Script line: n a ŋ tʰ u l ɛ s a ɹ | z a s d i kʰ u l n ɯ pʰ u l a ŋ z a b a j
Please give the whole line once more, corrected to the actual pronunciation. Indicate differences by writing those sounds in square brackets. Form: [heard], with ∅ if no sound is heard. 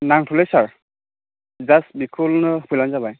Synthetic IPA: n a ŋ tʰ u l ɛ s a ɹ | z a s [b] i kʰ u l n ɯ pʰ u l a [n] z a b a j

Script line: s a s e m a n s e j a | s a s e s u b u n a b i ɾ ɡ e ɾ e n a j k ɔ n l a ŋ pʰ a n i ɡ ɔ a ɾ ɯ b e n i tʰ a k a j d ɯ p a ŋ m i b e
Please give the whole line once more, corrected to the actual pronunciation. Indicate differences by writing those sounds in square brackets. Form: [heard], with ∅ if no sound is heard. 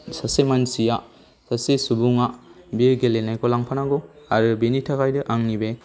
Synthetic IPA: s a s e m a n s [i] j a | s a s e s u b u [ŋ] a b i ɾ ɡ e [l] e n a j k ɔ [∅] l a ŋ pʰ a n [a] ɡ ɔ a ɾ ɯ b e n i tʰ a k a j d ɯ [ʔ] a ŋ [n] i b e

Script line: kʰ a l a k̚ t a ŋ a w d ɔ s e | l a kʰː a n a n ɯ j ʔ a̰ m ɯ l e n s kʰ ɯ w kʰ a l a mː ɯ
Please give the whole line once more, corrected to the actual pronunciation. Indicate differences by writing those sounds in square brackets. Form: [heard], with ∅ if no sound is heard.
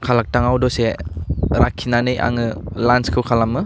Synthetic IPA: kʰ a l a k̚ t a ŋ a w d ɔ s e | [ɾ] a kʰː [i] n a n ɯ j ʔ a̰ [ŋ] ɯ l [a] n s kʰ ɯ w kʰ a l a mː ɯ

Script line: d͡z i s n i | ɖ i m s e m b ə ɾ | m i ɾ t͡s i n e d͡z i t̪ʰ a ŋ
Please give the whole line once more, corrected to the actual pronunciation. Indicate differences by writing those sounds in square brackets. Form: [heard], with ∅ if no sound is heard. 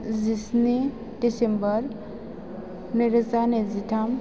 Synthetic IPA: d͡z i s n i | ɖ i [∅] s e m b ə ɾ | [n] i ɾ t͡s [a] n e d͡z i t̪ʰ a [m]

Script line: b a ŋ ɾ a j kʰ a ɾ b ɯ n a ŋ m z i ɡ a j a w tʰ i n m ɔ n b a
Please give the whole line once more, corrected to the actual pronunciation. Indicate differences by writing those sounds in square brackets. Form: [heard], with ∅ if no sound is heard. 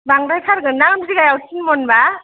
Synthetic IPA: b a ŋ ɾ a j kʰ a ɾ [ɡ] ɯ n a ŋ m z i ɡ a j a w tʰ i n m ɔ n b a

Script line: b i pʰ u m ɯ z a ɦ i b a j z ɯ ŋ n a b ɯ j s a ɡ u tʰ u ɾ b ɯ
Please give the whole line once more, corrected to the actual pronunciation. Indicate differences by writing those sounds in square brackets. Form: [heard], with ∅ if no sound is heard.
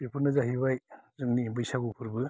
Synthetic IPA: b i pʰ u [n] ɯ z a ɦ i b a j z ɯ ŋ n [i] b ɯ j s a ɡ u [pʰ] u ɾ b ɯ

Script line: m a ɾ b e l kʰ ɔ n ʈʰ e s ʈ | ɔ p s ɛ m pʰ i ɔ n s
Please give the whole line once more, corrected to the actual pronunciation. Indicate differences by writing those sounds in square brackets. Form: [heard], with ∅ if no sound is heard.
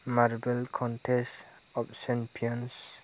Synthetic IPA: m a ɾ b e l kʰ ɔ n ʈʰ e s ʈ | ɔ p s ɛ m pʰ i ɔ n s

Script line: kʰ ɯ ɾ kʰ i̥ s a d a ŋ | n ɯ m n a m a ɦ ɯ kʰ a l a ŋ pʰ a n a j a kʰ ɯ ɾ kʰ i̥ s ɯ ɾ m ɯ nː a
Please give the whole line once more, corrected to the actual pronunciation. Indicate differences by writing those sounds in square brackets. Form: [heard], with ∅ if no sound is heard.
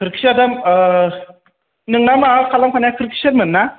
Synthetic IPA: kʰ ɯ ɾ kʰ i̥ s a d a [m] | n ɯ [ŋ] n a m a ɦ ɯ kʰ a l a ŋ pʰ a n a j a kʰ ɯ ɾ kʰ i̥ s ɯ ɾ m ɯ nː a

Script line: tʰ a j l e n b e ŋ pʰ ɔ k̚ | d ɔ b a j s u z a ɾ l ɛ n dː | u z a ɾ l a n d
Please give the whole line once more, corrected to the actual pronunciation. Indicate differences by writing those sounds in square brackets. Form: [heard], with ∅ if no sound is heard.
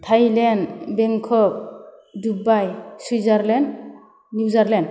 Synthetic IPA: tʰ a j l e n b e ŋ [kʰ] ɔ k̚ | d [u] b a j s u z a ɾ l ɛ n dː | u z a ɾ l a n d

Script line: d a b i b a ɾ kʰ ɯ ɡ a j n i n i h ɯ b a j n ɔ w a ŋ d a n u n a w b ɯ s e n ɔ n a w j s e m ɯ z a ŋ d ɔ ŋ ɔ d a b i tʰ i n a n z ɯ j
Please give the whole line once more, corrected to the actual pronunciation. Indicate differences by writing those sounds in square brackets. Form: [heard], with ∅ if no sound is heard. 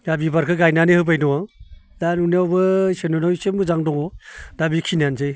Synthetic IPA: d a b i b a ɾ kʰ ɯ ɡ a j n [a] n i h ɯ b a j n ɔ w a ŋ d a n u n a w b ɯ s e n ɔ n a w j s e m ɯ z a ŋ d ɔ ŋ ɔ d a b i [kʰ] i n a n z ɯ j

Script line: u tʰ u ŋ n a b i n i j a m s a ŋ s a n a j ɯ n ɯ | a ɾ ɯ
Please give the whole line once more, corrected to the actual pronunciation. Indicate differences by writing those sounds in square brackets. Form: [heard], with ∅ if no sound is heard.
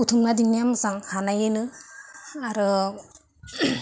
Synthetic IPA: u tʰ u [m] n a [d] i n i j a m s a ŋ [h] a n a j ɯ n ɯ | a ɾ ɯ

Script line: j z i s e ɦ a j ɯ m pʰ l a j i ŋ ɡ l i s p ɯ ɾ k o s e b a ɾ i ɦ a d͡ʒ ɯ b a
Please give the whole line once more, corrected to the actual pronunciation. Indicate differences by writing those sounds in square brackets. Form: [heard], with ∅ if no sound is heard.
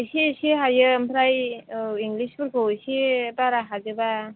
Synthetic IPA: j [s] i s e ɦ a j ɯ m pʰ [ɾ] a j i ŋ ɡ l i s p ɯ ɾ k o s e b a ɾ [a] ɦ a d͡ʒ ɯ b a

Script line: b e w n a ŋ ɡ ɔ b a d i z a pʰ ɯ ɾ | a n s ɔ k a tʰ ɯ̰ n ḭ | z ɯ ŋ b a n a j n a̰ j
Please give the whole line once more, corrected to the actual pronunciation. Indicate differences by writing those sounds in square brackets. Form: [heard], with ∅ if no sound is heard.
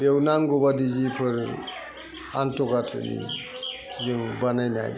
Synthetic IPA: b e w n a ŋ ɡ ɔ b a d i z [i] pʰ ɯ ɾ | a n [t] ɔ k a tʰ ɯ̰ n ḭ | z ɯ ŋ b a n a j n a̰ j

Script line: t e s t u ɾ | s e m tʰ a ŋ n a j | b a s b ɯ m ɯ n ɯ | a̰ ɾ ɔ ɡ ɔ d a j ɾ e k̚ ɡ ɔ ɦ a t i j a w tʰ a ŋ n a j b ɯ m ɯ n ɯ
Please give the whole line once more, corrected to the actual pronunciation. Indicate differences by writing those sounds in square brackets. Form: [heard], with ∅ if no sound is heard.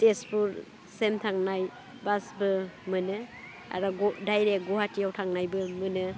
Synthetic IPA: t e s [p] u ɾ | s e m tʰ a ŋ n a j | b a s b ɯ m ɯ n ɯ | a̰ ɾ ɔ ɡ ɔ d a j ɾ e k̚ ɡ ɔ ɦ a t i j a w tʰ a ŋ n a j b ɯ m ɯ n ɯ

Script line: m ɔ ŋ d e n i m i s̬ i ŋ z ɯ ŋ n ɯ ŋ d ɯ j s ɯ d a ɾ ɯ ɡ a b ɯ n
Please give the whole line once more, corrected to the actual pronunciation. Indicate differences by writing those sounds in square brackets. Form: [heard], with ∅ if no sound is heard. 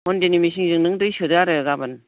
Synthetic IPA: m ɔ [n] d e n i m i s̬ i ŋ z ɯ ŋ n ɯ ŋ d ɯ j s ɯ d a ɾ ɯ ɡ a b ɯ n

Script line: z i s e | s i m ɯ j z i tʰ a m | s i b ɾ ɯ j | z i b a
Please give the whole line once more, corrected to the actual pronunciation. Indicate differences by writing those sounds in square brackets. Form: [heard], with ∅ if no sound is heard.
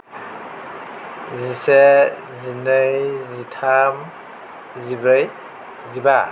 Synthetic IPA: z i s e | [z] i [n] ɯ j z i tʰ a m | [z] i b ɾ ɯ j | z i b a

